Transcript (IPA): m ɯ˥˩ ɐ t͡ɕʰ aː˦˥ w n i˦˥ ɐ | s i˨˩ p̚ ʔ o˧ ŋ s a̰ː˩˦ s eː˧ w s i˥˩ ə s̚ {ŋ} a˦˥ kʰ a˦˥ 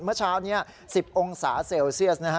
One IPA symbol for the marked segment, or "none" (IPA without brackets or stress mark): n